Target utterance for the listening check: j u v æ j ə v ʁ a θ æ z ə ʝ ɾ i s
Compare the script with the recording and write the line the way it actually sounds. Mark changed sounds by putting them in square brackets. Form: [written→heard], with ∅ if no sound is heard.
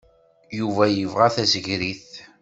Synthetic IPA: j u v æ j ə v ʁ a θ æ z ə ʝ ɾ i [s→θ]